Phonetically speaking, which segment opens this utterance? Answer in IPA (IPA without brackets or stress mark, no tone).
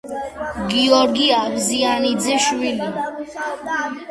ɡ